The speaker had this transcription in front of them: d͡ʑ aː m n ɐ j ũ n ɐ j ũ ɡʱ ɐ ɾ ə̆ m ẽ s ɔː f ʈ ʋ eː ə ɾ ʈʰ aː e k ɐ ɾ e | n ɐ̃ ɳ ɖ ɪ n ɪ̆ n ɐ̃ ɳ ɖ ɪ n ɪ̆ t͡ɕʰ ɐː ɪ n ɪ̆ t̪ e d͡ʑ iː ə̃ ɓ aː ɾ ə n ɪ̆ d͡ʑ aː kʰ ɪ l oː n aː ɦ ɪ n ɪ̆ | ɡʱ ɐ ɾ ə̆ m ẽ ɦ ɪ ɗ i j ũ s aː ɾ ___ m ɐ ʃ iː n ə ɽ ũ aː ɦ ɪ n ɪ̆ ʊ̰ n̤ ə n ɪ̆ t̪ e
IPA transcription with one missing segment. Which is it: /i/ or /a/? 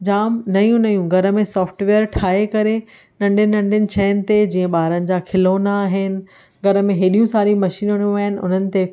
i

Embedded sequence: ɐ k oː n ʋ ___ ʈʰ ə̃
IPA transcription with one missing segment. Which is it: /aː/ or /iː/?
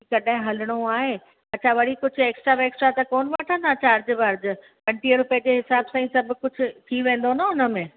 aː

